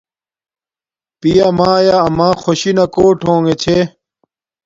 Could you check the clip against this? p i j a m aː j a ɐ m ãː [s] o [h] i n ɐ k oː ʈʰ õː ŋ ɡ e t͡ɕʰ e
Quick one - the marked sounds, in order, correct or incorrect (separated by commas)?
incorrect, incorrect